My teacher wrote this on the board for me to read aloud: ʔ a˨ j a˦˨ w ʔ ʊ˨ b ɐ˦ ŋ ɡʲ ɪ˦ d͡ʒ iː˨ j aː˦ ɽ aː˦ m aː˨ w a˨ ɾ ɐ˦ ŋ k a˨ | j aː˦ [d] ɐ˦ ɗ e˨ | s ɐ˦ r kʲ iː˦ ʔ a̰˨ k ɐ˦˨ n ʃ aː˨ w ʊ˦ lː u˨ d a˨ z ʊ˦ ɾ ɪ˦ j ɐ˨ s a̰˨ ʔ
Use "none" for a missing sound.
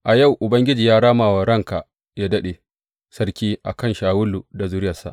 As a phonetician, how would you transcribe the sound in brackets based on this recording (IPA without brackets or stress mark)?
d